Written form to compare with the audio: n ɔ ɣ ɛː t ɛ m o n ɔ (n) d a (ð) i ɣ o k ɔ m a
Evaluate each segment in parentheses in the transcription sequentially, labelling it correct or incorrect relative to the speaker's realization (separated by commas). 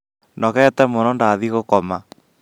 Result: correct, correct